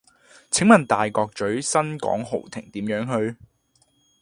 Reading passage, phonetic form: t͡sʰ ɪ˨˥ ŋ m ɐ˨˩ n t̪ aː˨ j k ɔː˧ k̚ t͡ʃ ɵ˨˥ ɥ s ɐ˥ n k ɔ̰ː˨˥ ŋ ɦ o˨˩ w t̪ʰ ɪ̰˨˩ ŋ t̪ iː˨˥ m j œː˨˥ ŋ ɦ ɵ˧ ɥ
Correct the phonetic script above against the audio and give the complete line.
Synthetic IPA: t͡sʰ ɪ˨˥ ŋ m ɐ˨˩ n t̪ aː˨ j k ɔː˧ k̚ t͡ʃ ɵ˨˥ ɥ s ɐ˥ n k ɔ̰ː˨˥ ŋ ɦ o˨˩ w t̪ʰ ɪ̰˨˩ ŋ t̪ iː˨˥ m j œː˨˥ ŋ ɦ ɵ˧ ɥ